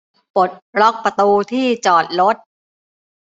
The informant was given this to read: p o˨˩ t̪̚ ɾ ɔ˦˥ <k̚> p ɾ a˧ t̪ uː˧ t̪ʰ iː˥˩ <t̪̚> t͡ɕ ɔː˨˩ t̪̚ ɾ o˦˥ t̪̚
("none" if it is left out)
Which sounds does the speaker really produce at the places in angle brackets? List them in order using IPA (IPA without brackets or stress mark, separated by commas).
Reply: k̚, none